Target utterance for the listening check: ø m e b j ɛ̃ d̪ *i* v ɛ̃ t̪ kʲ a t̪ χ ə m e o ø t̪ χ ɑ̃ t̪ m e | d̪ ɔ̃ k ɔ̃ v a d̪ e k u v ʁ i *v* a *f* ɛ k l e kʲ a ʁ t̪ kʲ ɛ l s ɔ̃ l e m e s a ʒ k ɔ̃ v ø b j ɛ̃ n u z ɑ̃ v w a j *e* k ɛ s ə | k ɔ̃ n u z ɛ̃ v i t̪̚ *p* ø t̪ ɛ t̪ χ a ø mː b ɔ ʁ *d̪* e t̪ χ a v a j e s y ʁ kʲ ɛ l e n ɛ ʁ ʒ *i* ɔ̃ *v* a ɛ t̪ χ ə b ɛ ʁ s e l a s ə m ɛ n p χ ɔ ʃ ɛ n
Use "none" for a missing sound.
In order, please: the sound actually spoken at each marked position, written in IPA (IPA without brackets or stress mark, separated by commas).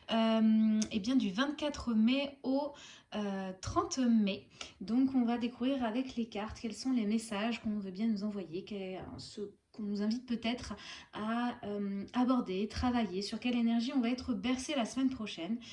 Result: y, ʁ, v, e, p, d̪, i, v